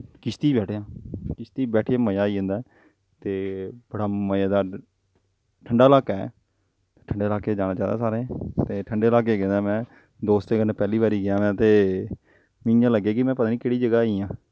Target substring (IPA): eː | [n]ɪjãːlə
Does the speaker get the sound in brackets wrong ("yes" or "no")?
yes